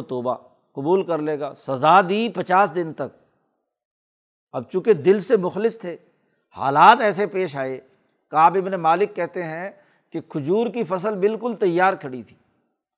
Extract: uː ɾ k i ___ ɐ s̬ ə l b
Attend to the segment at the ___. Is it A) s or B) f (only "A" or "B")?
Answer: B